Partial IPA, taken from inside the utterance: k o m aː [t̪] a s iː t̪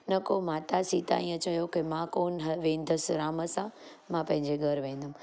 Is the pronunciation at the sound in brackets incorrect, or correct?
correct